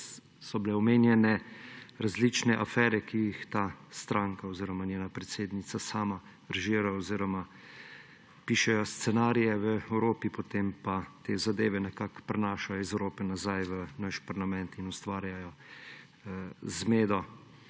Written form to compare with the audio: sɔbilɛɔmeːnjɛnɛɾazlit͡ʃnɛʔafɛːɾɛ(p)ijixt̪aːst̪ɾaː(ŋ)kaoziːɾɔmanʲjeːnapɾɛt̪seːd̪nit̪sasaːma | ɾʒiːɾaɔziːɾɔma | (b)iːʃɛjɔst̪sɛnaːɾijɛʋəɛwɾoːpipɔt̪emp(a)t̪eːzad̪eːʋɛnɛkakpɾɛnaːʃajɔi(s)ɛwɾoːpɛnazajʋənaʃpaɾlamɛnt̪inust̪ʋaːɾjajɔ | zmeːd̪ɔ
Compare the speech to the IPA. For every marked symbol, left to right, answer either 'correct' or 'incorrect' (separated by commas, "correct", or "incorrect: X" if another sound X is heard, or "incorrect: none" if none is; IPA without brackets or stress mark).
incorrect: k, correct, incorrect: p, correct, incorrect: z